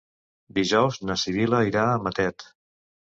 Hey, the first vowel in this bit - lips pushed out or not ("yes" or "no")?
no